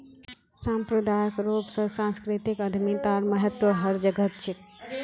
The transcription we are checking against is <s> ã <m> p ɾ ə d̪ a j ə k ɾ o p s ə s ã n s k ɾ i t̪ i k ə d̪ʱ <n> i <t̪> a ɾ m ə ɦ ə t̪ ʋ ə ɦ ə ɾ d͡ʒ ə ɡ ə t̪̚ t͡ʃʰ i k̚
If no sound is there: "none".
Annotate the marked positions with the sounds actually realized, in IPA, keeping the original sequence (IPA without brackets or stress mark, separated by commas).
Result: s, m, m, t̪